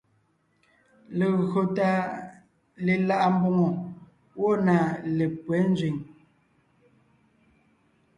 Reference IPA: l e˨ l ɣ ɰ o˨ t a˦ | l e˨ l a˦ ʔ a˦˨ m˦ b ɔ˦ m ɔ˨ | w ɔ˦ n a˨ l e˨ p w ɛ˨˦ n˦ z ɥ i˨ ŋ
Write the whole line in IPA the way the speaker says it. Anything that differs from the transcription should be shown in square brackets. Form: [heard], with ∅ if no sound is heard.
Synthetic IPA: l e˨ [∅] ɣ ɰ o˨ t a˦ | l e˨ l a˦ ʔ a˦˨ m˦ b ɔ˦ [ŋ] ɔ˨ | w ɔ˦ n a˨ l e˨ p w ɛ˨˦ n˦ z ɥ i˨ ŋ